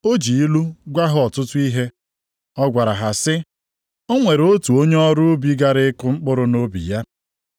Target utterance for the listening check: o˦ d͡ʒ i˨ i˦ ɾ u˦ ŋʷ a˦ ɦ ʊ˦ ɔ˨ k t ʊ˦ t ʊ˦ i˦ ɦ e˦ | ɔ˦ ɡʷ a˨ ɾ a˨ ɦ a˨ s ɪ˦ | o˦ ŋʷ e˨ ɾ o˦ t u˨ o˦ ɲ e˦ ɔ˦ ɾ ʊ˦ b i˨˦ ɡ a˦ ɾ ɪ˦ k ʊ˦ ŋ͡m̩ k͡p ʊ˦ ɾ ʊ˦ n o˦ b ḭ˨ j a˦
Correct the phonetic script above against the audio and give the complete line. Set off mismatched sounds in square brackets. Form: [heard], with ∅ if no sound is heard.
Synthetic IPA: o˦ d͡ʒ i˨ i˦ [l] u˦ [ɡʷ] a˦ ɦ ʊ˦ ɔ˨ [∅] t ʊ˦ t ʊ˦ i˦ ɦ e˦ | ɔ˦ ɡʷ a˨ ɾ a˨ ɦ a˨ s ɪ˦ | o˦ ŋʷ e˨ ɾ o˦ t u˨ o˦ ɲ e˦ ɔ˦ ɾ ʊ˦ b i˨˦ ɡ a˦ ɾ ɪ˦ k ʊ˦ ŋ͡m̩ k͡p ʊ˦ ɾ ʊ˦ n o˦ b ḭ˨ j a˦